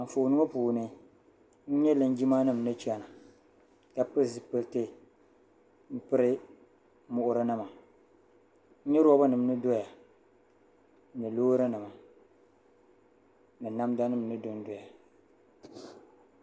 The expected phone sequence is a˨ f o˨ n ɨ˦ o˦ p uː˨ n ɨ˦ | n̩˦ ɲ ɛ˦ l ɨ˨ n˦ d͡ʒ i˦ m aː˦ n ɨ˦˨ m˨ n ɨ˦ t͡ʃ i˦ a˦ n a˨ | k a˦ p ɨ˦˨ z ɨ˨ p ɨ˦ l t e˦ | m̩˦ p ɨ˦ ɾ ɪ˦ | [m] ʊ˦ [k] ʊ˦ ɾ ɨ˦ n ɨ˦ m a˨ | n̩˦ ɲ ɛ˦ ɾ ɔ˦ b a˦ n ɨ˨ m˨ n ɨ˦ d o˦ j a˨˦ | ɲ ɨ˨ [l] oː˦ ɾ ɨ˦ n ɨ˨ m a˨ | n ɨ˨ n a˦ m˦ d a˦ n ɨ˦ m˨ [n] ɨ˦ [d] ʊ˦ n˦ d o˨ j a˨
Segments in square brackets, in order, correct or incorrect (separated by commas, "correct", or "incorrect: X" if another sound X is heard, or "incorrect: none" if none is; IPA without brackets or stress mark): correct, incorrect: ʔ, correct, correct, correct